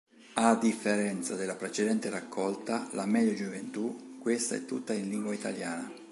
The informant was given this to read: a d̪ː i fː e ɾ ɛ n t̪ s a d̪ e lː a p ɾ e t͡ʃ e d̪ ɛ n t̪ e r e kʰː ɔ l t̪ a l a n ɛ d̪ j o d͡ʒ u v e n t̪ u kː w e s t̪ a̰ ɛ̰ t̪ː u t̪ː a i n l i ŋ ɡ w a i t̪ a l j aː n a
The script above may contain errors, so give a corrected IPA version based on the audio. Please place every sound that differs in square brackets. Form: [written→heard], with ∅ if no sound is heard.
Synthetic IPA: a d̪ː i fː e ɾ ɛ n t̪ s a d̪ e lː a p ɾ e t͡ʃ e d̪ ɛ n t̪ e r [e→a] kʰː ɔ l t̪ a l a [n→m] ɛ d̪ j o d͡ʒ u v e n t̪ u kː w e s t̪ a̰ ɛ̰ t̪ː u t̪ː a i n l i ŋ ɡ w a i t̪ a l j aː n a